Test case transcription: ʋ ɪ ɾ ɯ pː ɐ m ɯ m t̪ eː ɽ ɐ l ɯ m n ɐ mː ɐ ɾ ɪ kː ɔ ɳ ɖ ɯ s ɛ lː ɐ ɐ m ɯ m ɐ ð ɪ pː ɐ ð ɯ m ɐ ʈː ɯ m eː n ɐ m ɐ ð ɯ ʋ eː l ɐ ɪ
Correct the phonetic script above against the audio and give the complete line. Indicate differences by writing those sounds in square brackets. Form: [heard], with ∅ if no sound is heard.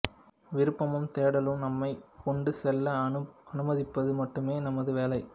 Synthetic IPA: ʋ ɪ ɾ ɯ pː ɐ m ɯ m t̪ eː ɽ ɐ l ɯ m n ɐ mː ɐ [∅] ɪ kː ɔ ɳ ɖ ɯ s ɛ lː ɐ ɐ [n] ɯ m ɐ ð ɪ pː ɐ ð ɯ m ɐ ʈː ɯ m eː n ɐ m ɐ ð ɯ ʋ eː l ɐ ɪ